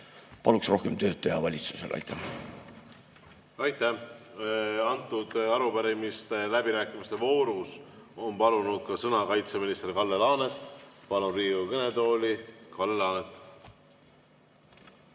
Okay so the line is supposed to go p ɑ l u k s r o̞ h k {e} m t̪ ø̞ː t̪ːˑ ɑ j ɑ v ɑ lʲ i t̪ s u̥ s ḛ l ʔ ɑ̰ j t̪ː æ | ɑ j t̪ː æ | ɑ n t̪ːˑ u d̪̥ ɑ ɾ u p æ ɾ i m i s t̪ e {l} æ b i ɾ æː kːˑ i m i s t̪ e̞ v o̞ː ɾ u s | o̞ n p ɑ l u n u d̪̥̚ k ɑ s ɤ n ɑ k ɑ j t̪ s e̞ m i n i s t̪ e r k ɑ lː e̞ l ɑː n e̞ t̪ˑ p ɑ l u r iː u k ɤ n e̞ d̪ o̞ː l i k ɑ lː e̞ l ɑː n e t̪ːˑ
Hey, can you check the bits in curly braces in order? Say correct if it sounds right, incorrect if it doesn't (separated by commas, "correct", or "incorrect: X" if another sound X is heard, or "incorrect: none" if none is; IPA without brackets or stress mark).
correct, correct